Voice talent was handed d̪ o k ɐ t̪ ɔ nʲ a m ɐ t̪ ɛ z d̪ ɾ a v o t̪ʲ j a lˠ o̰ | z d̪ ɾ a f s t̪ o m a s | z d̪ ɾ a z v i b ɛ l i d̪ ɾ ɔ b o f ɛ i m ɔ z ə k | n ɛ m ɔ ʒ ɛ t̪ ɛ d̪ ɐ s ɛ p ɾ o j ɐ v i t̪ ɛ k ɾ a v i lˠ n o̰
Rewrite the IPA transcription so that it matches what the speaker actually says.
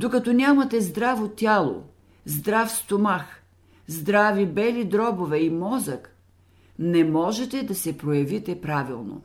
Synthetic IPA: d̪ o k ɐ t̪ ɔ nʲ a m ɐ t̪ ɛ z d̪ ɾ a v o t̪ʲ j a lˠ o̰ | z d̪ ɾ a f s t̪ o m a x | z d̪ ɾ a v i b ɛ l i d̪ ɾ ɔ b o v ɛ i m ɔ z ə k | n ɛ m ɔ ʒ ɛ t̪ ɛ d̪ ɐ s ɛ p ɾ o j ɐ v i t̪ ɛ p ɾ a v i lˠ n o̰